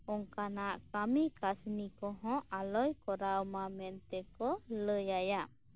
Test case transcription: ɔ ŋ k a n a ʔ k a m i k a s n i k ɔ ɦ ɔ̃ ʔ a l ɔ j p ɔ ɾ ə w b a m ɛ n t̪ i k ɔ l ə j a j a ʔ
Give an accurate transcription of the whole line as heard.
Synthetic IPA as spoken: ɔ ŋ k a n a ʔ k a m i k a s n i k ɔ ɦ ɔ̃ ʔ a l ɔ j k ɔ ɾ a w m a m ɛ n t̪ ɛ k ɔ l ə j a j a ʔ